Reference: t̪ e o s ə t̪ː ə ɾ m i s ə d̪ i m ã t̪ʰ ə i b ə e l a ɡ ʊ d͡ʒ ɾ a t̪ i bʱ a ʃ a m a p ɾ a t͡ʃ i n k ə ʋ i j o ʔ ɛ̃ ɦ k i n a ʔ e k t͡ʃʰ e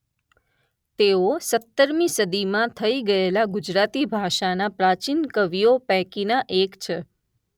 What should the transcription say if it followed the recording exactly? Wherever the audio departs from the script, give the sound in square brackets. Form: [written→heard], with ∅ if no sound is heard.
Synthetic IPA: t̪ e o s ə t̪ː ə ɾ m i s ə d̪ i m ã t̪ʰ ə i [b→ɡ] ə e l a ɡ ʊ d͡ʒ ɾ a t̪ i bʱ a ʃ a [m→n] a p ɾ a t͡ʃ i n k ə ʋ i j o [ʔ→p] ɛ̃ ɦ k i n a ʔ e k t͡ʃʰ e

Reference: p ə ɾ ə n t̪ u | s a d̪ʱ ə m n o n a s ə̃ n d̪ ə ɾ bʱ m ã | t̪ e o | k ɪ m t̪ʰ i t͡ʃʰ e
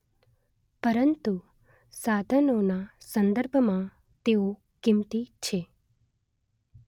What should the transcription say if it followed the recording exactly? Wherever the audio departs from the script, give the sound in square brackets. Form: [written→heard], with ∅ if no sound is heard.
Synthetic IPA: p ə ɾ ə n t̪ u | s a d̪ʱ ə [m→∅] n o n a s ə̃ n d̪ ə ɾ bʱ m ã | t̪ e o | k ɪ m [t̪ʰ→t̪] i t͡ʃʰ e

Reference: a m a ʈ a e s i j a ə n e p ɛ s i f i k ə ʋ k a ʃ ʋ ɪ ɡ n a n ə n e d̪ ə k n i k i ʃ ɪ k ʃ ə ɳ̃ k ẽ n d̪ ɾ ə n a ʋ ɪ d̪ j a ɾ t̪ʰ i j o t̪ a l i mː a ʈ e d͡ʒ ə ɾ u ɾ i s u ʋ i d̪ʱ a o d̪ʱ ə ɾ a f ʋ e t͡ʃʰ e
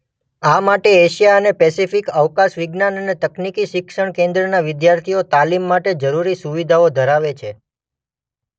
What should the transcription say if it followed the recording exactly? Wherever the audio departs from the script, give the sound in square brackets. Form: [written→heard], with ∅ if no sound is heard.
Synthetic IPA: a m a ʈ [a→e] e [s→ʃ] i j a ə n e p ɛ s i f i k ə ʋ k a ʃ ʋ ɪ ɡ n a n ə n e [d̪→t̪] ə k n i k i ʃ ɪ k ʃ ə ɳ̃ k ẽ n d̪ ɾ ə n a ʋ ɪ d̪ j a ɾ t̪ʰ i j o t̪ a l i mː a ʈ e d͡ʒ ə ɾ u ɾ i s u ʋ i d̪ʱ a o d̪ʱ ə ɾ a [f→∅] ʋ e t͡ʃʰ e

